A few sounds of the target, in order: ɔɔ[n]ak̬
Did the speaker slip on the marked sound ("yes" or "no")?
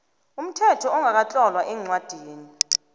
yes